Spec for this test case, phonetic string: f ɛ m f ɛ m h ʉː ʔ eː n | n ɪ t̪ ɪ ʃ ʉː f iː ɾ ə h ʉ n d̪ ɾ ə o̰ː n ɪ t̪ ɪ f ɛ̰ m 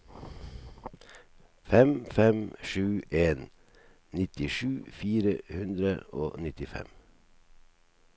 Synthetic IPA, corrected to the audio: f ɛ m f ɛ m ʃ ʉː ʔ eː n | n ɪ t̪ ɪ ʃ ʉː f iː ɾ ə h ʉ n d̪ ɾ ə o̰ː n ɪ t̪ ɪ f ɛ̰ m

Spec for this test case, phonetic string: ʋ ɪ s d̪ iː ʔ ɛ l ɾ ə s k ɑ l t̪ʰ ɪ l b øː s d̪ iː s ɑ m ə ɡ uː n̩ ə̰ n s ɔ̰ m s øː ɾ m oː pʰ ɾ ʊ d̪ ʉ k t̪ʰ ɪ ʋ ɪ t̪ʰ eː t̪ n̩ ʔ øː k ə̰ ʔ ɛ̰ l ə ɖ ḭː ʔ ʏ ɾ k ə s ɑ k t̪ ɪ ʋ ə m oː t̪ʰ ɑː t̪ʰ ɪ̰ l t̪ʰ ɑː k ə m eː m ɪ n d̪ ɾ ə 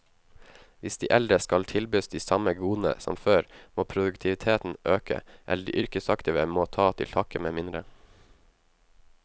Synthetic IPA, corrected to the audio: ʋ ɪ s d̪ iː ʔ ɛ l ɾ ə s k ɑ l t̪ʰ ɪ l b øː s d̪ iː s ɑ m ə ɡ uː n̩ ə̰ s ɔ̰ m f øː ɾ m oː pʰ ɾ ʊ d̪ ʉ k t̪ʰ ɪ ʋ ɪ t̪ʰ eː t̪ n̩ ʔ øː k ə̰ ʔ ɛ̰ l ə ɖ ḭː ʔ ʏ ɾ k ə s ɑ k t̪ ɪ ʋ ə m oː t̪ʰ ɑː t̪ʰ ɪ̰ l t̪ʰ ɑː k ə m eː m ɪ n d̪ ɾ ə

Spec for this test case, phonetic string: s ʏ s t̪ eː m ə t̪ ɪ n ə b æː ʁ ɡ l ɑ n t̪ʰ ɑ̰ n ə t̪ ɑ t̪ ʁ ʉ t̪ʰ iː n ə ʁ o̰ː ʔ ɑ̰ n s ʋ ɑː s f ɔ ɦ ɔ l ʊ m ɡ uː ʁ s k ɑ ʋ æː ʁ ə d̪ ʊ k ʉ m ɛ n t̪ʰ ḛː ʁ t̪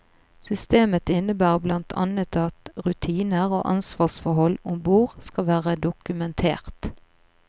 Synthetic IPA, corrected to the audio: s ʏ s t̪ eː m ə t̪ ɪ n ə b æː ʁ b l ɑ n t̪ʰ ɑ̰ n ə t̪ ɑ t̪ ʁ ʉ t̪ʰ iː n ə ʁ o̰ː ʔ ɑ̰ n s ʋ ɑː s f ɔ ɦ ɔ l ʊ m b uː ʁ s k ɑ ʋ æː ʁ ə d̪ ʊ k ʉ m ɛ n t̪ʰ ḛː ʁ t̪

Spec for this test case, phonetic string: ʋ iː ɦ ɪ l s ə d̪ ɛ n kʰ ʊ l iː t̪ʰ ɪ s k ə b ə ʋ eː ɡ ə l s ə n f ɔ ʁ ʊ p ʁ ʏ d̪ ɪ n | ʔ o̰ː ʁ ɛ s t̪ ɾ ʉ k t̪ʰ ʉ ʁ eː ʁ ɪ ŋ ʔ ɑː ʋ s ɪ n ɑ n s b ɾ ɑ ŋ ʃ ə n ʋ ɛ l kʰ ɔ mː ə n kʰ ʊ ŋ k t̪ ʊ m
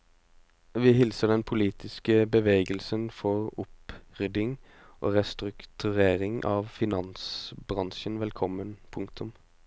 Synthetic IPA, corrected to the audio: ʋ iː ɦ ɪ l s ə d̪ ɛ n pʰ ʊ l iː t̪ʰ ɪ s k ə b ə ʋ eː ɡ ə l s ə n f ɔ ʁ ʊ p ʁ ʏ d̪ ɪ ŋ | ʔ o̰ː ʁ ɛ s t̪ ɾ ʉ k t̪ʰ ʉ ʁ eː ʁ ɪ ŋ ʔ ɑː ʋ f ɪ n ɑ n s b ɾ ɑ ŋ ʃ ə n ʋ ɛ l kʰ ɔ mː ə n pʰ ʊ ŋ k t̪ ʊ m

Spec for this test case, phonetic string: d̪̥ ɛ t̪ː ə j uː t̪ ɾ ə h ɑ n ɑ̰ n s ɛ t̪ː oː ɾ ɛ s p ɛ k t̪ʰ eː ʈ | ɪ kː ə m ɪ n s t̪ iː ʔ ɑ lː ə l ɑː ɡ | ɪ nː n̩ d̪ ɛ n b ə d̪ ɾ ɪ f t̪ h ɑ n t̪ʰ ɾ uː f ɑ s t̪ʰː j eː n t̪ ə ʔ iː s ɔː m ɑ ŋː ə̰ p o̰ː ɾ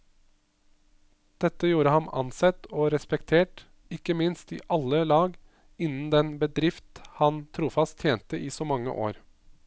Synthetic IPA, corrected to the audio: d̪̥ ɛ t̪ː ə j uː ɾ ə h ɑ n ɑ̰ n s ɛ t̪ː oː ɾ ɛ s p ɛ k t̪ʰ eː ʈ | ɪ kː ə m ɪ n s t̪ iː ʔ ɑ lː ə l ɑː ɡ | ɪ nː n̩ d̪ ɛ n b ə d̪ ɾ ɪ f t̪ h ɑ n t̪ʰ ɾ uː f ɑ s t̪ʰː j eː n t̪ ə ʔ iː s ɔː m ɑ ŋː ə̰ ʔ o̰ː ɾ

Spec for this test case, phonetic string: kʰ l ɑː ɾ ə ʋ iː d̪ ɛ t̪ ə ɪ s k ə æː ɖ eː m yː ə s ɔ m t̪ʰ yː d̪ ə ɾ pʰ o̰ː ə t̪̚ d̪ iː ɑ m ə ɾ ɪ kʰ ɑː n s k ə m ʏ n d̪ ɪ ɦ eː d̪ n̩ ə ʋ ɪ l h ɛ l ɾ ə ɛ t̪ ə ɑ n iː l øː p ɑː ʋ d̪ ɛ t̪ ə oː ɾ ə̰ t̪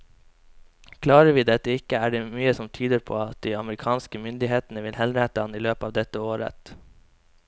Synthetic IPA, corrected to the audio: kʰ l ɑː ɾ ə ʋ iː d̪ ɛ t̪ ə ɪ k ə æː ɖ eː m yː ə s ɔ m t̪ʰ yː d̪ ə ɾ pʰ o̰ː ɑ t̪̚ d̪ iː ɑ m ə ɾ ɪ kʰ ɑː n s k ə m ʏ n d̪ ɪ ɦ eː t̪ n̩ ə ʋ ɪ l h ɛ l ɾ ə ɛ t̪ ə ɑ n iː l øː p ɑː ʋ d̪ ɛ t̪ ə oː ɾ ə̰ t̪

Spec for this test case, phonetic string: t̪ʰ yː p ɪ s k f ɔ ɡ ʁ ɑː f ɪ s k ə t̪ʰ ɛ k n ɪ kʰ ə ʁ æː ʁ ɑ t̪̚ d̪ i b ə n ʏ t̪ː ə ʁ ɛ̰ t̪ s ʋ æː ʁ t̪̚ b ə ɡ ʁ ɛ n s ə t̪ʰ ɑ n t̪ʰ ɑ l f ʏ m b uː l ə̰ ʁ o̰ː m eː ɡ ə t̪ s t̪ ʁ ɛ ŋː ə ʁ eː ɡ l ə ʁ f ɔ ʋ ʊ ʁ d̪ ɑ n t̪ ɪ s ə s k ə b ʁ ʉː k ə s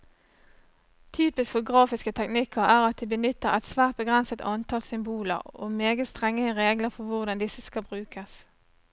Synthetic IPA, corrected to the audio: t̪ʰ yː p ɪ s k f ɔ ɡ ʁ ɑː f ɪ s k ə t̪ʰ ɛ k n ɪ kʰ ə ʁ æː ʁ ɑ t̪̚ d̪ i b ə n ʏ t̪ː ə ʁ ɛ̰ t̪ s ʋ æː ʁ t̪̚ b ə ɡ ʁ ɛ n s ə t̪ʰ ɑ n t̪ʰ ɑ l s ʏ m b uː l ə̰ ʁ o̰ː m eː ɡ ə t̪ s t̪ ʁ ɛ ŋː ə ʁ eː ɡ l ə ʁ f ɔ ʋ ʊ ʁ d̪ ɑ n d̪ ɪ s ə s k ɑ b ʁ ʉː k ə s

